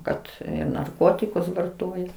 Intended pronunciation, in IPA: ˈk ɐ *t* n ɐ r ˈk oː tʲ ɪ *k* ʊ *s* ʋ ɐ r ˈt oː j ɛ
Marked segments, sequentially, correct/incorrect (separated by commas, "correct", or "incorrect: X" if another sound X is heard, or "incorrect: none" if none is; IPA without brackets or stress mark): correct, correct, correct